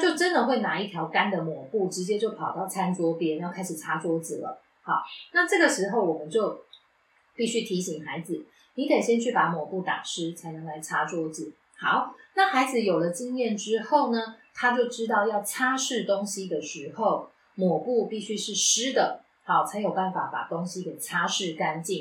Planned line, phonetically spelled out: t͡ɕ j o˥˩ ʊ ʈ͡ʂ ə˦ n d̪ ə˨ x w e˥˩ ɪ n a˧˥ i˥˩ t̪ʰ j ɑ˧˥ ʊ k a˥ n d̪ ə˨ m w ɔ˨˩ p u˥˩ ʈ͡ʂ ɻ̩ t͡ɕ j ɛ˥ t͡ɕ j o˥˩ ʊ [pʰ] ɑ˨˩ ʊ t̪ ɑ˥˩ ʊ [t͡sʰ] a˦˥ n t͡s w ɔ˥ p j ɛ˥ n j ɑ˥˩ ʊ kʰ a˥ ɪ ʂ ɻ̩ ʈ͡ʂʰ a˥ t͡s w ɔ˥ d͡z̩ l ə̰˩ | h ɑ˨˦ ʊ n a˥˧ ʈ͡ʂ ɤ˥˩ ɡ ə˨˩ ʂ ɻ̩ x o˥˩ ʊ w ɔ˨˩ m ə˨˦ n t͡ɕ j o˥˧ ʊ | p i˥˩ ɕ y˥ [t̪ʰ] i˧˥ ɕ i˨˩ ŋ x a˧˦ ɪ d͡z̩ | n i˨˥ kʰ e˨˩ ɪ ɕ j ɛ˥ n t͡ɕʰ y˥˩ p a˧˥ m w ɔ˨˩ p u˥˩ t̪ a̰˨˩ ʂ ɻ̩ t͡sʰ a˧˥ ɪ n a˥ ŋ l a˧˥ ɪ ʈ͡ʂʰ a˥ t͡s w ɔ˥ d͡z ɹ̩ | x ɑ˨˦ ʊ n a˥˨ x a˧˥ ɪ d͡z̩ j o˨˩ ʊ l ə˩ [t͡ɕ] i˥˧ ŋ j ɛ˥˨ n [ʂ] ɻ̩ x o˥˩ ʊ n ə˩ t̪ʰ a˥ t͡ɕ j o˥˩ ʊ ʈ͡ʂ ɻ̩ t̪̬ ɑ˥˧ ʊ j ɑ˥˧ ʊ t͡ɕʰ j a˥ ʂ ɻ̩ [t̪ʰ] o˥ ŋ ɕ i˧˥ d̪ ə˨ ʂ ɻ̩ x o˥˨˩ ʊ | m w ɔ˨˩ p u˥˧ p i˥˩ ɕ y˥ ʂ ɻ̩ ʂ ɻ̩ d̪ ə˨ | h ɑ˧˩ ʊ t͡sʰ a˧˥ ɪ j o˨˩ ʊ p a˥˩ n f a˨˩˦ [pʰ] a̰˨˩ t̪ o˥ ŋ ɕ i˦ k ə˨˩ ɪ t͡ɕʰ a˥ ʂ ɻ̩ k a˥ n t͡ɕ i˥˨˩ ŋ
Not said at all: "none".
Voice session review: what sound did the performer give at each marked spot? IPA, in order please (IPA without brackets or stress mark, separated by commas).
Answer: pʰ, t͡sʰ, t̪ʰ, t͡ɕ, ʈ͡ʂ, t̪, p